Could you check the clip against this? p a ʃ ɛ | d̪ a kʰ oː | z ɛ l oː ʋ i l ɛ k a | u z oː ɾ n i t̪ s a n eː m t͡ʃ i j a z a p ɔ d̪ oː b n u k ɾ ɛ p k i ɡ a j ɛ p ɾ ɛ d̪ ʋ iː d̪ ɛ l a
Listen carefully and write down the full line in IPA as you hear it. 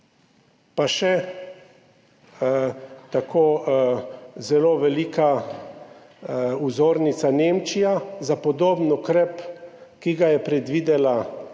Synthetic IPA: p a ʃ ɛ | t̪ a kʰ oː | z ɛ l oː ʋ ɛ l i k a | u z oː ɾ n i t̪ s a n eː m t͡ʃ i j a z a p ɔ d̪ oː b n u k ɾ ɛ p k i ɡ a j ɛ p ɾ ɛ d̪ ʋ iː d̪ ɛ l a